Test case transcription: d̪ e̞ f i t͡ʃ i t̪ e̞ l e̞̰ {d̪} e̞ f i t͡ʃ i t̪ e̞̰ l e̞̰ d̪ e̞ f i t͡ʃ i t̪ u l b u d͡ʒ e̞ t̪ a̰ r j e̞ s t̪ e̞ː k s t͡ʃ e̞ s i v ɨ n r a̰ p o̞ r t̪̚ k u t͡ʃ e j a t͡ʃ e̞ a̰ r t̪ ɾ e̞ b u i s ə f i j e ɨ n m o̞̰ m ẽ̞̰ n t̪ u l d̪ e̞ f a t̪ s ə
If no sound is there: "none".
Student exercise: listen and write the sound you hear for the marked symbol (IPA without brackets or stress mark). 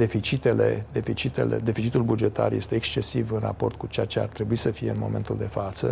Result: d̪